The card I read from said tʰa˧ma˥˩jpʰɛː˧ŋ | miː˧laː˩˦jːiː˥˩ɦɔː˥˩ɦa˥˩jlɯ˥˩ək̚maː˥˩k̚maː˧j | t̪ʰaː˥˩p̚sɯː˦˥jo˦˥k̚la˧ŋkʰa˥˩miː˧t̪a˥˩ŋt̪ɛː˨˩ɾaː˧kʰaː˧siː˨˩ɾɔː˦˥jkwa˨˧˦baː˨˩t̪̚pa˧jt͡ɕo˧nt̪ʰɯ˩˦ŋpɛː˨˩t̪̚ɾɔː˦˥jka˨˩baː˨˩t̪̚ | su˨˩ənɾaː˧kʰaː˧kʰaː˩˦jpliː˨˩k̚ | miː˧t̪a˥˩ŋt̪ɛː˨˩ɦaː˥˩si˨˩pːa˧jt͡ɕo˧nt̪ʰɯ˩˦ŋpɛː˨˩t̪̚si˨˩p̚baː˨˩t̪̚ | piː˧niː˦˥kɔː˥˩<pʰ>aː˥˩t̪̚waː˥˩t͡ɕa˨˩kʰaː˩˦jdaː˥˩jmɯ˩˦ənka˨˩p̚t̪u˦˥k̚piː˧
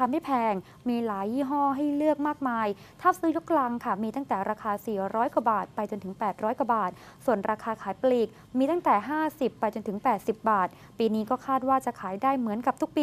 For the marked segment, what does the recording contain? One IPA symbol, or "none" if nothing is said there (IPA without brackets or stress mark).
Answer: kʰ